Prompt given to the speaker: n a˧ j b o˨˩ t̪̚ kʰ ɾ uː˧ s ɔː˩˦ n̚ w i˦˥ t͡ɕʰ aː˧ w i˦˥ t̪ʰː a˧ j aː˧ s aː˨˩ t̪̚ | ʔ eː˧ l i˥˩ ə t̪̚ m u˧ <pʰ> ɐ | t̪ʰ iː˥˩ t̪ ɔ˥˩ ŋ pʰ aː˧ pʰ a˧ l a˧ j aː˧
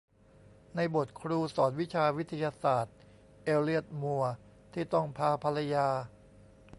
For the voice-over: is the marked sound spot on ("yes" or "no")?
no